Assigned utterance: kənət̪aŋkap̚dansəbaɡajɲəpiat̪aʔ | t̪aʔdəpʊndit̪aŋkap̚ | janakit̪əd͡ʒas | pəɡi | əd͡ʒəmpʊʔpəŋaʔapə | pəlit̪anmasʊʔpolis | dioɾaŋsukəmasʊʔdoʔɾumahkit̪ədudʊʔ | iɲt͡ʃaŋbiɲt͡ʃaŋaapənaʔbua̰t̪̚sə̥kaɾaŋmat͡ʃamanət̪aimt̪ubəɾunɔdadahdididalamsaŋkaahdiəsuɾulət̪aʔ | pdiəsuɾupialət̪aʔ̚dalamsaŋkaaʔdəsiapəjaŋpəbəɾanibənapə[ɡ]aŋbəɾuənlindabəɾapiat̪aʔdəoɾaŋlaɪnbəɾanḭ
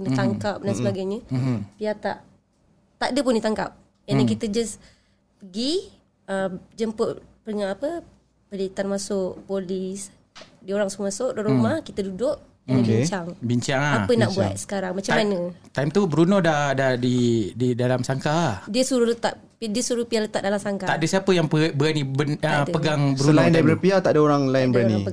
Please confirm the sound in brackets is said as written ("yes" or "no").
yes